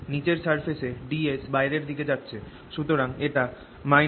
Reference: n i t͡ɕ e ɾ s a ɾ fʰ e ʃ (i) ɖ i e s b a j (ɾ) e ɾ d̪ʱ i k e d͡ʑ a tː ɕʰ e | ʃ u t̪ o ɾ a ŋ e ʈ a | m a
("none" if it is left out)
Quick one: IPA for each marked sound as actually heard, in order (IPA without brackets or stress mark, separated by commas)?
e, ɾ